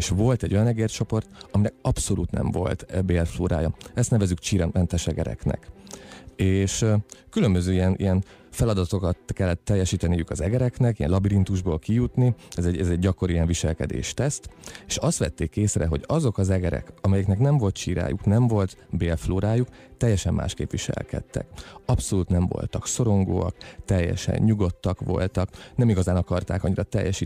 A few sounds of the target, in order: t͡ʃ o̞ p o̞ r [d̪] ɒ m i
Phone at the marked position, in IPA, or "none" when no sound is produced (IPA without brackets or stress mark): t̪